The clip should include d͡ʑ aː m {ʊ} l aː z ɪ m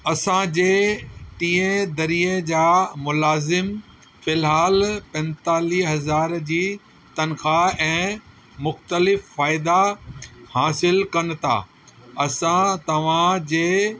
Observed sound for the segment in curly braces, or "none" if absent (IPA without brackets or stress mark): ʊ